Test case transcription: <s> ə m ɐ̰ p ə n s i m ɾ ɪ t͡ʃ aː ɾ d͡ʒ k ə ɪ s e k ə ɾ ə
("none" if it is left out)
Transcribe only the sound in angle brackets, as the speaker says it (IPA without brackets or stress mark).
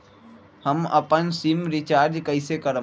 h